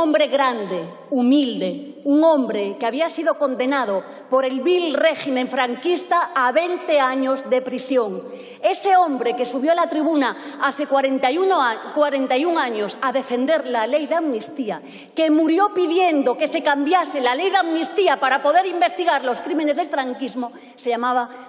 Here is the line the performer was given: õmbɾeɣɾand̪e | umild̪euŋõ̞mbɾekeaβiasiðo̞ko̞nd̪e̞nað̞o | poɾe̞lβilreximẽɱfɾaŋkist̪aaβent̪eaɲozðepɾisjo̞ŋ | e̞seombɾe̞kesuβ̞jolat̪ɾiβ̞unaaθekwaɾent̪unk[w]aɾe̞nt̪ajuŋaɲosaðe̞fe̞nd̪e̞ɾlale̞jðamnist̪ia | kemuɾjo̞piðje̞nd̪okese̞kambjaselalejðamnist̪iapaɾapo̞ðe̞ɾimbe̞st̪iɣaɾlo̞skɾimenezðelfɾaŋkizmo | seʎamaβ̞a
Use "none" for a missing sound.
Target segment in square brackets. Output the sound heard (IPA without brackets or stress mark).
w